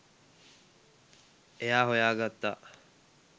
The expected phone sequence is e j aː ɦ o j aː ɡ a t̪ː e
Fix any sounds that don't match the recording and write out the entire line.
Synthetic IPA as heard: e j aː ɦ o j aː ɡ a t̪ː a